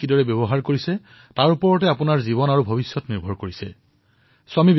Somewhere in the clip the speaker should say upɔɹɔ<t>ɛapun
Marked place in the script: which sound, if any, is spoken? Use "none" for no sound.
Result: t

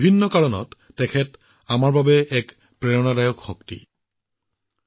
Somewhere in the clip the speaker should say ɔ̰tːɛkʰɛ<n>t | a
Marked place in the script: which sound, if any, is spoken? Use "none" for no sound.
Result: none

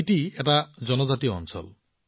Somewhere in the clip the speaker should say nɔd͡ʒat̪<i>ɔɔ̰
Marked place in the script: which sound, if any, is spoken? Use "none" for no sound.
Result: i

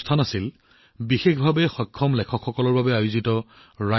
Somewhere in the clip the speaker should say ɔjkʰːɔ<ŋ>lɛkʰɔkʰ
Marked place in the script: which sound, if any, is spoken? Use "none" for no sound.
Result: m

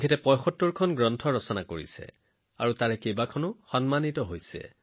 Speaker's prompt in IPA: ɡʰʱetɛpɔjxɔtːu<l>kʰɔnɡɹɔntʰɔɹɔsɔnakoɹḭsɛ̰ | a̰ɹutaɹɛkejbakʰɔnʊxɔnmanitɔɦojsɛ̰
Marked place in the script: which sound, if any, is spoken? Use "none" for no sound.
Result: ɹ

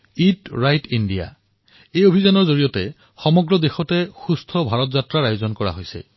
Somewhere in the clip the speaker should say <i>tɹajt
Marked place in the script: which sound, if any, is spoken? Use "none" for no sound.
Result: i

